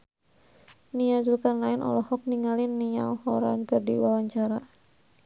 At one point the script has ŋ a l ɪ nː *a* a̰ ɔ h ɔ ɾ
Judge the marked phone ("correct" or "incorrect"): incorrect